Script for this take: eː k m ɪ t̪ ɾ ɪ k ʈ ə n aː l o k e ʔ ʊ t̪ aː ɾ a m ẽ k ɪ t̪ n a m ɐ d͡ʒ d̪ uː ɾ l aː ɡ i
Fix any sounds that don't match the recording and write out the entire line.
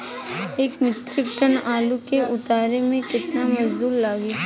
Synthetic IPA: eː k m ɪ t̪ ɾ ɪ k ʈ ə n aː l u k e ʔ ʊ t̪ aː ɾ e m ẽ k ɪ t̪ n a m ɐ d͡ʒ d̪ uː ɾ l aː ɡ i